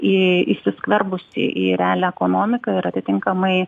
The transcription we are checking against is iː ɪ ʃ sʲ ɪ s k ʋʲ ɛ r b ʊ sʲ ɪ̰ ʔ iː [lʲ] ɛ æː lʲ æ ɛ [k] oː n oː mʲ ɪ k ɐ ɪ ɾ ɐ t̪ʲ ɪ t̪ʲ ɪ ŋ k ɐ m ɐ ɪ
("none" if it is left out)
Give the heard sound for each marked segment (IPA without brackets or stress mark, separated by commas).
ɾʲ, k